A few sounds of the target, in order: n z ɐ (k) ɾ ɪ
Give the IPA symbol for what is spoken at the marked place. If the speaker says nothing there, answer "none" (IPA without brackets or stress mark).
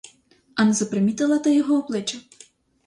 p